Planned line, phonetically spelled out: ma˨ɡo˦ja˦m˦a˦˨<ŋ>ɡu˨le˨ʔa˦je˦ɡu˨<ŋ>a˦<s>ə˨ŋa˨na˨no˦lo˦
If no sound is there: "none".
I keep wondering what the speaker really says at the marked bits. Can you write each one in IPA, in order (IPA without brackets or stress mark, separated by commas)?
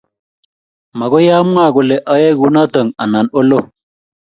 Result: none, n, t